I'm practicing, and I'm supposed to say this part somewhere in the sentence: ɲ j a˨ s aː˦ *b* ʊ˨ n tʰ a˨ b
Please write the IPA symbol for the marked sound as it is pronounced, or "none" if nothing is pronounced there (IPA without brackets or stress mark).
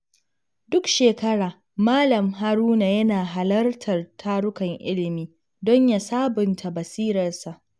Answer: b